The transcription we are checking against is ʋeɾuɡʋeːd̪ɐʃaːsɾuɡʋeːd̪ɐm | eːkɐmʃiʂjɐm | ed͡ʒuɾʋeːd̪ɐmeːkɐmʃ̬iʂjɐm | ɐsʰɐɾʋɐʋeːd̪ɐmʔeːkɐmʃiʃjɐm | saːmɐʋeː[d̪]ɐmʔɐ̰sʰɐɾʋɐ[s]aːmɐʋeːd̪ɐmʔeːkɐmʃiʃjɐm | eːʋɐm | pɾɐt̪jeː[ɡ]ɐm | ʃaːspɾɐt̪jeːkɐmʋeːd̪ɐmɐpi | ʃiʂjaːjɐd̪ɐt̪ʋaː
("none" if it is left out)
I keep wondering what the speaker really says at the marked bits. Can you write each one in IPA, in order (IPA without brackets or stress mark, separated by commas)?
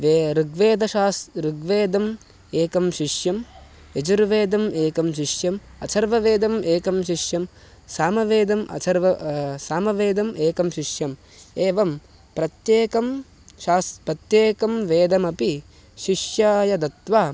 d̪, s, k